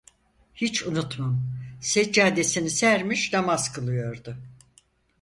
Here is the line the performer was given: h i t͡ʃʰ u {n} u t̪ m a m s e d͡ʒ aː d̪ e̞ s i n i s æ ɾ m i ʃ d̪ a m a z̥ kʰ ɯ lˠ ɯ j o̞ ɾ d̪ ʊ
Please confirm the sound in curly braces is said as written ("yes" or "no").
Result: yes